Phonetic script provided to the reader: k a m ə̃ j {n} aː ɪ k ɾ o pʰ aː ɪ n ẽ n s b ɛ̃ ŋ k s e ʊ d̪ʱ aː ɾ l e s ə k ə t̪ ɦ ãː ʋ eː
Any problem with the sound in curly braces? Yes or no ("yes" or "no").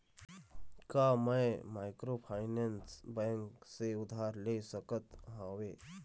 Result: yes